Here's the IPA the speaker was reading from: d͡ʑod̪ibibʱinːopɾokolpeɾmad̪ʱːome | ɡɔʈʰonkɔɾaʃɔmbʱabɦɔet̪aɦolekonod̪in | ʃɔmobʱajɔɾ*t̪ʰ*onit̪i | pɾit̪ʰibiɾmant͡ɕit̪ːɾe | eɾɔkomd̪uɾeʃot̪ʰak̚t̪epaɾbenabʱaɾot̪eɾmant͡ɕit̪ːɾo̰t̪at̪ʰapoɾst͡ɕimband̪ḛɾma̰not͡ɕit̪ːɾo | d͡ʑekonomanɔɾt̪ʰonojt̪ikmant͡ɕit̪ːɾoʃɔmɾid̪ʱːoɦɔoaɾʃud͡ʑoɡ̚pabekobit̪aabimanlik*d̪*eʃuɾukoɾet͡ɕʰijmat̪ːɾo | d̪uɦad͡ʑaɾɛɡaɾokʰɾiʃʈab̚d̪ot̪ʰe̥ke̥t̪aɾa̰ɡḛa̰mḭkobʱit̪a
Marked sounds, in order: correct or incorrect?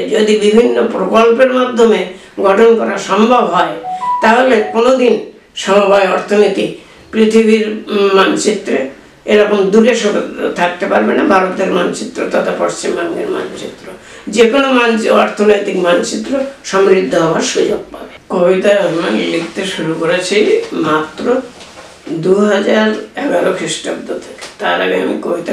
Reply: correct, incorrect

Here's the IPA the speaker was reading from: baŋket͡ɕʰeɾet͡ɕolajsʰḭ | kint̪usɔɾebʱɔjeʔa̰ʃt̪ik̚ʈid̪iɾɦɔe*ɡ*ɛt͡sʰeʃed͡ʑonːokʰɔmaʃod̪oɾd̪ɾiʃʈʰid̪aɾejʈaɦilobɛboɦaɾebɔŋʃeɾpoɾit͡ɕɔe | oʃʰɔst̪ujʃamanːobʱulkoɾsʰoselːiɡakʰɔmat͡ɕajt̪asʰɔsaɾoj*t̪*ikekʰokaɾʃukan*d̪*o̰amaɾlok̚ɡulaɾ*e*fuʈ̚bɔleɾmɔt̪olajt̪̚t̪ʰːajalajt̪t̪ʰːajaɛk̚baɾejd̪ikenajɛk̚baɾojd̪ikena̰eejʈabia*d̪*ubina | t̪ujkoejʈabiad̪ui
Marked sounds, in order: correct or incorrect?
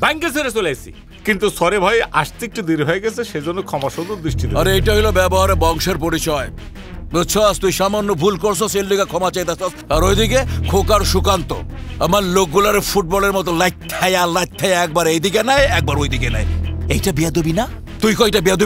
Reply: correct, incorrect, incorrect, correct, correct

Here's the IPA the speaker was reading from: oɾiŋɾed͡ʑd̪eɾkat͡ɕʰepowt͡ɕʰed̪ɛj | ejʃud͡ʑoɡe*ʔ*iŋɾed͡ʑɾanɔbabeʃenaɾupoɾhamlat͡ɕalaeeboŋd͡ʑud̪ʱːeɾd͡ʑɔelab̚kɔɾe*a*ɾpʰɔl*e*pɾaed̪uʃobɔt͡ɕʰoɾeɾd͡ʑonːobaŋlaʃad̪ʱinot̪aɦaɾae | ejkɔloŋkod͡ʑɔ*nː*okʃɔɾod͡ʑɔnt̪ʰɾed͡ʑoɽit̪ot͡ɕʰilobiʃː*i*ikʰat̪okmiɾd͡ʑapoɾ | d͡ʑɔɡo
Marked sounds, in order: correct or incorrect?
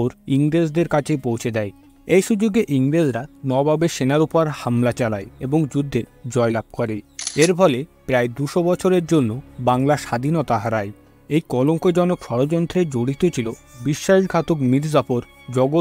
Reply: correct, incorrect, correct, incorrect, incorrect

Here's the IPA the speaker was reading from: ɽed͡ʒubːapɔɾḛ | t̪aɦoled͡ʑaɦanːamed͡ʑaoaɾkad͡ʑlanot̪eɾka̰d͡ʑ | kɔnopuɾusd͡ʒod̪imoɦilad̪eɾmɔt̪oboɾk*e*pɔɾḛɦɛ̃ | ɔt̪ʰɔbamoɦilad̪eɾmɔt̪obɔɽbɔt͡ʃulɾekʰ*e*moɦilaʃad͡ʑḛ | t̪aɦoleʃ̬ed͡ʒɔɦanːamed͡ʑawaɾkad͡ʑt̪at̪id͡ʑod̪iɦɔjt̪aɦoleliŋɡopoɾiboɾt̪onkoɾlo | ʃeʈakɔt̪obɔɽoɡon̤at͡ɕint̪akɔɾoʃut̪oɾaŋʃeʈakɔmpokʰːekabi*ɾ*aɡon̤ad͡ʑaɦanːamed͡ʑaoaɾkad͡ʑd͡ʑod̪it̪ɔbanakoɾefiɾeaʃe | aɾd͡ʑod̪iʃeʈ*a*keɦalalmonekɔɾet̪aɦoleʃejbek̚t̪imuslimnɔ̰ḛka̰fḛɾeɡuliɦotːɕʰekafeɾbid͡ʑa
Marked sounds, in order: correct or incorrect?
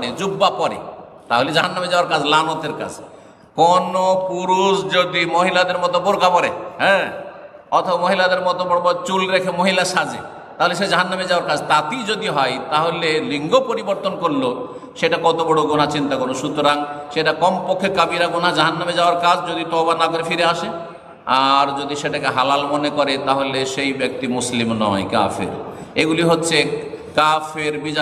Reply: incorrect, correct, correct, correct

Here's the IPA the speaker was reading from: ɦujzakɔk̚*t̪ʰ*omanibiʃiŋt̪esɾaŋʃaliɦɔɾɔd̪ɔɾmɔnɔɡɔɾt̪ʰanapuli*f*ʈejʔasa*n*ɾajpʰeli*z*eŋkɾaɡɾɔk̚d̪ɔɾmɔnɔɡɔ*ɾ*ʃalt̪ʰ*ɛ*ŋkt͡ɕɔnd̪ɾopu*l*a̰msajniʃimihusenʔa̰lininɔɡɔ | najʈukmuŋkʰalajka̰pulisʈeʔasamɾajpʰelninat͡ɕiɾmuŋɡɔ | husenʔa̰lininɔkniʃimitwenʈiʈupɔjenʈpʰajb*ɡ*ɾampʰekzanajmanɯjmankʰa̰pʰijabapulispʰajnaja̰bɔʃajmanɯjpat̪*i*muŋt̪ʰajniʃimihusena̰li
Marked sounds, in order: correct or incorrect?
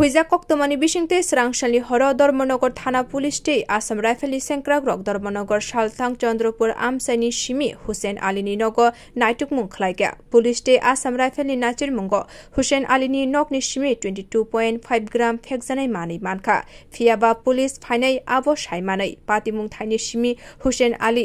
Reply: incorrect, incorrect, incorrect, incorrect, correct, incorrect, incorrect, correct, correct

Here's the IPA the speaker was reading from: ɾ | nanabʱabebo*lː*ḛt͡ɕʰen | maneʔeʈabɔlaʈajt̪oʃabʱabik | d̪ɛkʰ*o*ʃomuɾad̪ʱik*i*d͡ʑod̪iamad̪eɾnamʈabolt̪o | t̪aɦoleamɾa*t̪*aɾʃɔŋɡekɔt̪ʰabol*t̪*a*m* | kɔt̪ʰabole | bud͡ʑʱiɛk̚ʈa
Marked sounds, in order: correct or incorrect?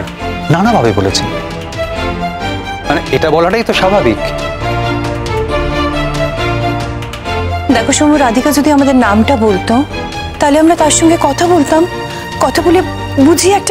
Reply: incorrect, correct, incorrect, correct, correct, correct

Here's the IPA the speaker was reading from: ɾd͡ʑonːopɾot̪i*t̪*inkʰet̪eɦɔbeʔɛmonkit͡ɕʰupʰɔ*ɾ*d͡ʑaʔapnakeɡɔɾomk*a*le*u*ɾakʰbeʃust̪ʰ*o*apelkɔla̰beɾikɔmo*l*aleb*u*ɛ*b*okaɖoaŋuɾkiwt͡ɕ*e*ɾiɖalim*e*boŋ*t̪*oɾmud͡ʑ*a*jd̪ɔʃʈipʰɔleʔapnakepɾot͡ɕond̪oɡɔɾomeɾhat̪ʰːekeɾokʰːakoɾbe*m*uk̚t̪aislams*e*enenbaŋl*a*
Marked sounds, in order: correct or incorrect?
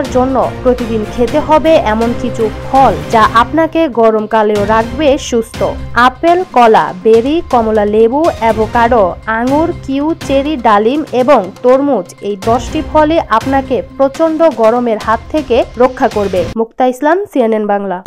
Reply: incorrect, incorrect, correct, incorrect, correct, correct, correct, correct, correct, correct, correct, incorrect, correct, incorrect, correct

